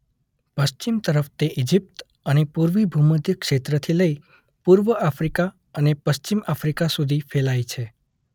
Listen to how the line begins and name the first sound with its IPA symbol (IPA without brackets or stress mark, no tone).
p